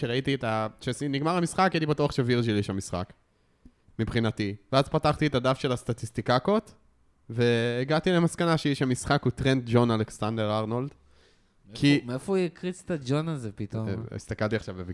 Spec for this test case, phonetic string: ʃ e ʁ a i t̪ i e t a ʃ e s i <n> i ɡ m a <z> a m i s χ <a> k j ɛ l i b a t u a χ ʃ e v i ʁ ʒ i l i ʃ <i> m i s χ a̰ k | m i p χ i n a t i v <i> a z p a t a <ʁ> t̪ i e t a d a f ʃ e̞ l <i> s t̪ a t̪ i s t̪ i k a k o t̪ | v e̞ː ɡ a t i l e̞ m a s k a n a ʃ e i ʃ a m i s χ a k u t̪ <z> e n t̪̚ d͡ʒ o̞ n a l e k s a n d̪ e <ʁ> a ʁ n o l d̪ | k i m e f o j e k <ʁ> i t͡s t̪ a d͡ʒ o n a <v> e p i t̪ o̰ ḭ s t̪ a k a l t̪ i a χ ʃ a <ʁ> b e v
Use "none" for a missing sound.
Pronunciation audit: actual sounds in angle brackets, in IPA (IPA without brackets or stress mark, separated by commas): n, ʁ, a, a, e, χ, a, ʁ, ʁ, ʁ, z, v